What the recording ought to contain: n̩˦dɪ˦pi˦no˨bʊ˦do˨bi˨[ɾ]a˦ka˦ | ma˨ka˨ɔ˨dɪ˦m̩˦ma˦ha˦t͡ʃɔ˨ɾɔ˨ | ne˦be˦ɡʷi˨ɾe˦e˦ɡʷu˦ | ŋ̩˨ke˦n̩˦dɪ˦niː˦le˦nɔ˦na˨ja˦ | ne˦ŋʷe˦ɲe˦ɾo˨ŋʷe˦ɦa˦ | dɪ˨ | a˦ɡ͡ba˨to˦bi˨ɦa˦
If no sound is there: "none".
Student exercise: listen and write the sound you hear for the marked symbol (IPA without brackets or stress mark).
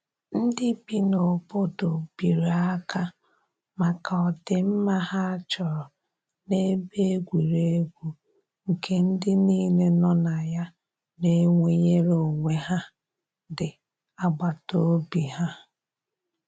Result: ɾ